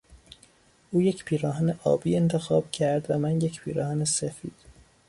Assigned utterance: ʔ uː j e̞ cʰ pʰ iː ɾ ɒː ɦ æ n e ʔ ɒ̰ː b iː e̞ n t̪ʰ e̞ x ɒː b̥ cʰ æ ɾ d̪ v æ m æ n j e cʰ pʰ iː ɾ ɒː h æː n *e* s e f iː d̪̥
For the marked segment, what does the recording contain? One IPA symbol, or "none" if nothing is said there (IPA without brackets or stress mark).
e